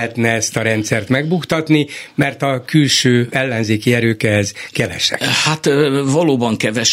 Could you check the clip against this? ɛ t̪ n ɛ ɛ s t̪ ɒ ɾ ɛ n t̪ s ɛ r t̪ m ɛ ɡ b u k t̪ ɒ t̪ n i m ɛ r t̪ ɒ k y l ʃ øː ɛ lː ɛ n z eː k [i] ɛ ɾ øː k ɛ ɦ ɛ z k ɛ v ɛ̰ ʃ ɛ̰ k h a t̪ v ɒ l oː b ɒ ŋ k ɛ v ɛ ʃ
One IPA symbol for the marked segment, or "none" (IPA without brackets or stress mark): i